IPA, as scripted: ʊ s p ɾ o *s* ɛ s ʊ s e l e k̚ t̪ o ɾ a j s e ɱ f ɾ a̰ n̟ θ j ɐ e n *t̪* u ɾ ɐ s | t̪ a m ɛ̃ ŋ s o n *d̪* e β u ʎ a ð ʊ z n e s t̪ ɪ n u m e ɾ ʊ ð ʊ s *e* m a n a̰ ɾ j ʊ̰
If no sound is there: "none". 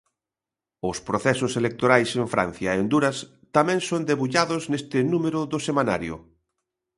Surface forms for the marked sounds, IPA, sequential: θ, d̪, d̪, e

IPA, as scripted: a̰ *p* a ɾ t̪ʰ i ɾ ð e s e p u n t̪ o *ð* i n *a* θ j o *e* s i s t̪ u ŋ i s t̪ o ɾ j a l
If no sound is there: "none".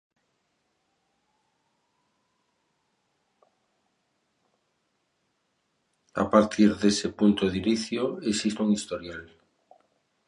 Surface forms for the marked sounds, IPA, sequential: p, ð, i, e

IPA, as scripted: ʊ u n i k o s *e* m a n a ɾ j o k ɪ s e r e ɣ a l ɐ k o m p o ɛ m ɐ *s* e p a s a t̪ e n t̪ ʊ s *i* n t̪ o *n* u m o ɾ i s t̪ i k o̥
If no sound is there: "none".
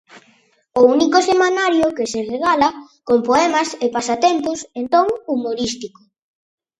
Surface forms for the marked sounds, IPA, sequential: e, s, e, ŋ

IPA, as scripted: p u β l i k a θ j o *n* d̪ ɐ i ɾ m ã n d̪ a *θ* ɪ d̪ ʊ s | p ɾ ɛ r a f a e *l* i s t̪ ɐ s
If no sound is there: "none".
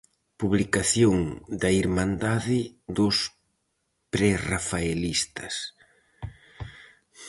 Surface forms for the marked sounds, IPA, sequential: ŋ, ð, l

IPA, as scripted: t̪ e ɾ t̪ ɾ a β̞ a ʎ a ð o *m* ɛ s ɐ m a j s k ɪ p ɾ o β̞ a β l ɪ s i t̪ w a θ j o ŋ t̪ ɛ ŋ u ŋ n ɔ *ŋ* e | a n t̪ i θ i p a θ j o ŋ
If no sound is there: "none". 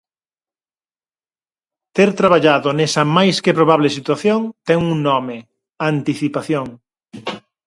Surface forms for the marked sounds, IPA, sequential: n, m

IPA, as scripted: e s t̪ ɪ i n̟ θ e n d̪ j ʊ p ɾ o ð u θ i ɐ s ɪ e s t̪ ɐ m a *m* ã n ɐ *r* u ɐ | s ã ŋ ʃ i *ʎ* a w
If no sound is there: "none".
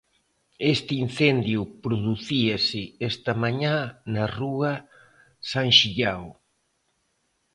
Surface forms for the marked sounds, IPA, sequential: ɲ, r, ʎ

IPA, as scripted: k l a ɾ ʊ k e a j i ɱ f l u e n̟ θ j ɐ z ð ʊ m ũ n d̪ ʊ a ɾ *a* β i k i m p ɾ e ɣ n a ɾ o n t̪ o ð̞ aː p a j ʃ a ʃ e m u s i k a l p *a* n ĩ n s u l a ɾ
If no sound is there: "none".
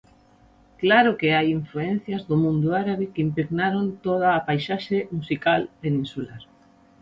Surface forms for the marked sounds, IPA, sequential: a, e

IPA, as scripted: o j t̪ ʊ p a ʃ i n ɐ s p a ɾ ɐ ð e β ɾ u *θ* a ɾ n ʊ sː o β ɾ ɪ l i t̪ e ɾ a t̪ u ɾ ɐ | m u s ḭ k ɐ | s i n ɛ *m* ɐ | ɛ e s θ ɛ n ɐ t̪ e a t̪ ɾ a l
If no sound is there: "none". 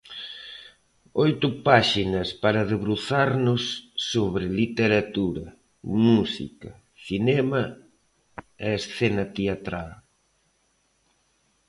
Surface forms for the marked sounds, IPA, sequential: θ, m

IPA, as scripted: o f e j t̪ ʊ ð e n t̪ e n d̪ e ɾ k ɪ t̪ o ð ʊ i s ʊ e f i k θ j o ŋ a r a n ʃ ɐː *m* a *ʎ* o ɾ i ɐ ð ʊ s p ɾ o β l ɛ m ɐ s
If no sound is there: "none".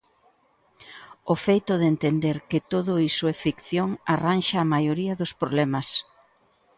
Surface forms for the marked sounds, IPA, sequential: m, j

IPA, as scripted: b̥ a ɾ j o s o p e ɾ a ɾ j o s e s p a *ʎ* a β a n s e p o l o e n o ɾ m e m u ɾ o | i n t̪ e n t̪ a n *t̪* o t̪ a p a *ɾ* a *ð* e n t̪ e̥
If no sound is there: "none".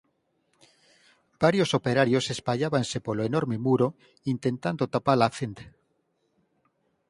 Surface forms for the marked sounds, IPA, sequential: ʎ, d̪, l, θ

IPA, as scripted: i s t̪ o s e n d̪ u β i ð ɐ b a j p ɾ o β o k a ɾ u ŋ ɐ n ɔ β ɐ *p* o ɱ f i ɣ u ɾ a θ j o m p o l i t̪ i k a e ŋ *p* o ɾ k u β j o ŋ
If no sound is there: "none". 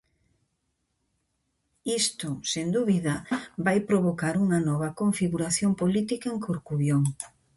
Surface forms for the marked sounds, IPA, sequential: k, k

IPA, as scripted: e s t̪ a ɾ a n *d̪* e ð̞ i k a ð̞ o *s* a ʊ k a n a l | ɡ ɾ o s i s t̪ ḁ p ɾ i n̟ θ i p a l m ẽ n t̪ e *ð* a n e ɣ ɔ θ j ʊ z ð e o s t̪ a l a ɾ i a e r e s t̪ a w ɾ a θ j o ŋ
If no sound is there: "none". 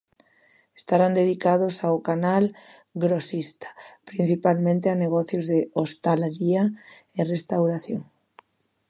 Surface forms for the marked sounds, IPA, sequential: d̪, s, none

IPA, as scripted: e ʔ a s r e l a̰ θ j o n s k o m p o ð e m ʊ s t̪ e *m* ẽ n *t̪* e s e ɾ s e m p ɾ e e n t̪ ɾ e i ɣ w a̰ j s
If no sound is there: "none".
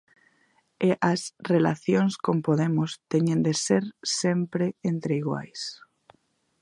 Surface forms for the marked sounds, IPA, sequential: ɲ, d̪

